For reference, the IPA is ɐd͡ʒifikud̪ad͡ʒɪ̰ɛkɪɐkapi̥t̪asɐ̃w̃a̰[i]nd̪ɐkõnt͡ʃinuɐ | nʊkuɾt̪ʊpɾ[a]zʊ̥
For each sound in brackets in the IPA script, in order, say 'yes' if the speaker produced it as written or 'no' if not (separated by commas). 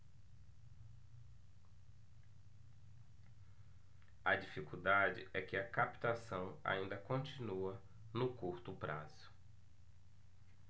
no, yes